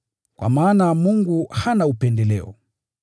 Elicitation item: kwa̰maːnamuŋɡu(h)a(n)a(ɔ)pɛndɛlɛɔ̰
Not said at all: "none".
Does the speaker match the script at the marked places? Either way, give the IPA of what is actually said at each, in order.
h, n, u

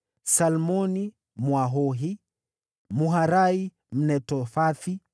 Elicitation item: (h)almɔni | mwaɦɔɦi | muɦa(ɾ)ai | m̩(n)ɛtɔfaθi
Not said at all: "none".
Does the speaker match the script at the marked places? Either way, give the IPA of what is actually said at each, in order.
s, ɾ, n

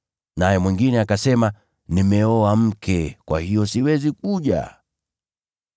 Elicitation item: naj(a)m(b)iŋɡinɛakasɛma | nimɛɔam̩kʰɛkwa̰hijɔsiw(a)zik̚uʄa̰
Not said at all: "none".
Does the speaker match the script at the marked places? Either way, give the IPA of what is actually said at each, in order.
ɛ, w, ɛ

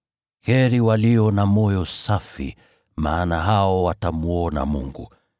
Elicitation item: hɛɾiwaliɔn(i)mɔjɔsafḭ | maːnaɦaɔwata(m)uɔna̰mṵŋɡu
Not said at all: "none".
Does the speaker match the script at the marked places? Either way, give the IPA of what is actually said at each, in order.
a, m

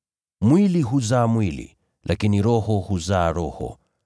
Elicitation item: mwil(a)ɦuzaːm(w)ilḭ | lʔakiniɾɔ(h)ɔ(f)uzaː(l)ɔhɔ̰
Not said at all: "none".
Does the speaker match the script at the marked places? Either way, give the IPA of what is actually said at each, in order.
i, w, h, h, ɾ

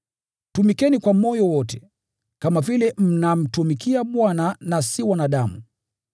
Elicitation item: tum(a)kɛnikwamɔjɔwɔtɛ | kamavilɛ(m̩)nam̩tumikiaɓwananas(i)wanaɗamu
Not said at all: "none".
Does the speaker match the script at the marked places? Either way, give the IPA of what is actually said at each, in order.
i, m̩, i

